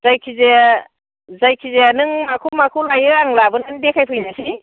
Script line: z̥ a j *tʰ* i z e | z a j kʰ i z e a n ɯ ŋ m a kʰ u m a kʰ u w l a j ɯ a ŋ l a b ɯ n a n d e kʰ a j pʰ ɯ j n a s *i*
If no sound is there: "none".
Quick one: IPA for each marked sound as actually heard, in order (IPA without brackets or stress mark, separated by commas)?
kʰ, i